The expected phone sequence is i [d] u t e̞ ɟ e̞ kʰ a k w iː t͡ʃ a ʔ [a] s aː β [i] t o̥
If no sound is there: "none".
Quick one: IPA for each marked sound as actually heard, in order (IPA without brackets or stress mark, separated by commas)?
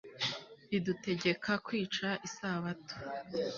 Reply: d, i, a